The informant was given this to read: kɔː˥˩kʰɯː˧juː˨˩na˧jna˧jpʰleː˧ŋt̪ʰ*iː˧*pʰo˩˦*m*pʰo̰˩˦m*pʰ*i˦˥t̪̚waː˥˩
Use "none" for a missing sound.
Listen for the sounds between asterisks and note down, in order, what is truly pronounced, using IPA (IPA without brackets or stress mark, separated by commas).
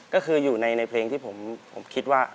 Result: iː˥˩, m, kʰ